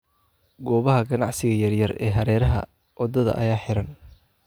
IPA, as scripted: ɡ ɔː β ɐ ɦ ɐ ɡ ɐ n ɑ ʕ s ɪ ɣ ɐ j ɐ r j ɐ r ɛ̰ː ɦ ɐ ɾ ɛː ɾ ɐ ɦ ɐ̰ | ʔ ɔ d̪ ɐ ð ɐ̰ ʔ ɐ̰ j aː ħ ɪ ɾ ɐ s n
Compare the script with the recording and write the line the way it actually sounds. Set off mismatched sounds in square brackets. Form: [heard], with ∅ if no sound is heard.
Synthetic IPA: ɡ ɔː β ɐ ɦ ɐ ɡ ɐ n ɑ ʕ s ɪ ɣ ɐ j ɐ r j ɐ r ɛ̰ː ɦ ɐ ɾ ɛː ɾ ɐ ɦ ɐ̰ | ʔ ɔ d̪ ɐ ð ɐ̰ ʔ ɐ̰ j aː ħ ɪ ɾ ɐ [∅] n